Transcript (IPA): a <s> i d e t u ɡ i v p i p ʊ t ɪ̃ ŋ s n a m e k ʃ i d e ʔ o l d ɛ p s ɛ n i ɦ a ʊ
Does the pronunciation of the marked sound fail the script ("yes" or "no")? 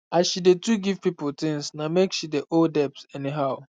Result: yes